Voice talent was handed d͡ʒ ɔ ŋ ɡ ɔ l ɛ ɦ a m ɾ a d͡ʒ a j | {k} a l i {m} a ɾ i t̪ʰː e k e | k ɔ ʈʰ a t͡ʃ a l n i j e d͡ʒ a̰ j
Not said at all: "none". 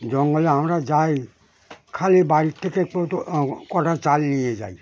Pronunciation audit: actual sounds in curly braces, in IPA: kʰ, b

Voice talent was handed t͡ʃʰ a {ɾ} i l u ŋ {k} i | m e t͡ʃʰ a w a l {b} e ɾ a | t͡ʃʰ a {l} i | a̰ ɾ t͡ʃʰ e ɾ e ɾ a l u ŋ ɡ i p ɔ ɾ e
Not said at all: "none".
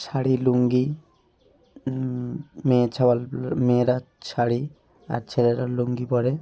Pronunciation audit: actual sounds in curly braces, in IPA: ɽ, ɡ, m, ɽ

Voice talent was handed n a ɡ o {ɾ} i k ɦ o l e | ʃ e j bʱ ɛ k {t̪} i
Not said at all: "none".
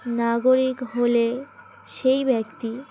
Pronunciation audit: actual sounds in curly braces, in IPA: ɾ, t̪

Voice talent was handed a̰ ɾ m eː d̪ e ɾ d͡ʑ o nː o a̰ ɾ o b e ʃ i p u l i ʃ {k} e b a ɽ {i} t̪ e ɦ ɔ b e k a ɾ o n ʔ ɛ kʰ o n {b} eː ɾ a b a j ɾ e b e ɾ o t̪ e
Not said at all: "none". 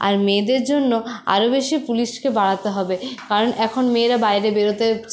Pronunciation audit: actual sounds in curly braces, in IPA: k, a, m

